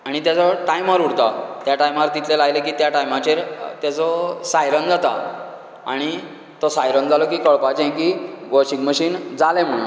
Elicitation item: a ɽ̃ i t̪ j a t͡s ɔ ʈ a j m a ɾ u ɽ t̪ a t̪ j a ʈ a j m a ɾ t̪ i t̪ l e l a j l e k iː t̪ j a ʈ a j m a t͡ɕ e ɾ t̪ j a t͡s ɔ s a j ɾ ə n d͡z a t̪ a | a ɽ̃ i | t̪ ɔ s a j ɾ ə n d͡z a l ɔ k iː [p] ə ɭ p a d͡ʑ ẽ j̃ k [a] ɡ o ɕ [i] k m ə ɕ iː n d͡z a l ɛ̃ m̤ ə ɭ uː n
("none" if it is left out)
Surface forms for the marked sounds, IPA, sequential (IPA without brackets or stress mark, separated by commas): k, i, i